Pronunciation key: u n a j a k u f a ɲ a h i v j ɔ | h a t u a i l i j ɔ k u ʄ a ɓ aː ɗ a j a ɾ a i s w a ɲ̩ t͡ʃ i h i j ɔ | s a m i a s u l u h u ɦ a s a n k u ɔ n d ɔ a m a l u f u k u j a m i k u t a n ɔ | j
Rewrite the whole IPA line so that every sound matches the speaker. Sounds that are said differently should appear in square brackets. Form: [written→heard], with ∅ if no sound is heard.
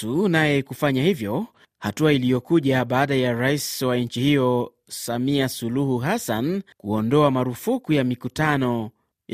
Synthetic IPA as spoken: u n a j [a→ɛ] k u f a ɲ a h i v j ɔ | h a t u a i l i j ɔ k u ʄ a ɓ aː ɗ a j a ɾ a i s w a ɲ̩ t͡ʃ i h i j ɔ | s a m i a s u l u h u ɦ a s a n k u ɔ n d ɔ a m a [l→ɾ] u f u k u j a m i k u t a n ɔ | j